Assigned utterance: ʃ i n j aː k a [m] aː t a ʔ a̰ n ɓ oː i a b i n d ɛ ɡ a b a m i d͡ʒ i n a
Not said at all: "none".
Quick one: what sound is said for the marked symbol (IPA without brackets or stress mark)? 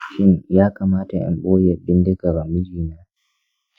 m